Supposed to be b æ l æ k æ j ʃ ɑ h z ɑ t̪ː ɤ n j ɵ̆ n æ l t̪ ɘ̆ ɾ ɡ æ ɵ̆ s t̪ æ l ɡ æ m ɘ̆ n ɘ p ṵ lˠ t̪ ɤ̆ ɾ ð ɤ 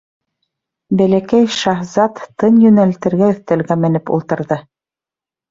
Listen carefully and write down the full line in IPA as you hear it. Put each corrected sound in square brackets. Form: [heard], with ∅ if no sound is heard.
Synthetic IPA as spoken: b æ l æ k æ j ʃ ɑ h z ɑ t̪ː ɤ n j ɵ̆ n æ l t̪ ɘ̆ ɾ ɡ æ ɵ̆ [θ] t̪ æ l ɡ æ m ɘ̆ n ɘ p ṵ lˠ t̪ ɤ̆ ɾ ð ɤ